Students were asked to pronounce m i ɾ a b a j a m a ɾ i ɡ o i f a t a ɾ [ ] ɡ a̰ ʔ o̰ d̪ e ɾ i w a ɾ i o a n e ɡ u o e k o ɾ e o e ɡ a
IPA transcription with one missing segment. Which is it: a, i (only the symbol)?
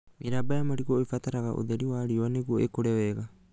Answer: a